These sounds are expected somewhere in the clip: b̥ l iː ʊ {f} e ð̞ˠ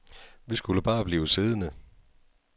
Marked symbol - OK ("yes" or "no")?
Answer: no